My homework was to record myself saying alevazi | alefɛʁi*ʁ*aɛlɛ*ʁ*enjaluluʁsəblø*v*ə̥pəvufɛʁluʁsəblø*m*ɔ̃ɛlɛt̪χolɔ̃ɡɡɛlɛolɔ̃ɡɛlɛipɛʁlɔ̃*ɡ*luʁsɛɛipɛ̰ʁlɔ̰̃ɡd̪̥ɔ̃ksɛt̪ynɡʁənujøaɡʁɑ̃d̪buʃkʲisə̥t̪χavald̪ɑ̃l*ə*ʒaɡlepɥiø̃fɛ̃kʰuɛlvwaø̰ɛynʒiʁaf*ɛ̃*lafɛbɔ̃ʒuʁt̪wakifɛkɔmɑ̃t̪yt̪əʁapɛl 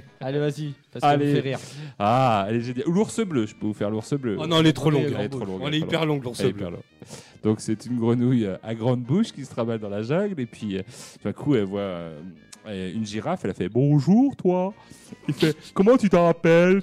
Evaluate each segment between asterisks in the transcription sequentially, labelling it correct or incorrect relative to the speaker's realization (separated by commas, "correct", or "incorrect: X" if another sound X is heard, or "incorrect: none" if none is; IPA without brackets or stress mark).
correct, incorrect: ʒ, incorrect: ʒ, incorrect: n, correct, incorrect: a, incorrect: ɛ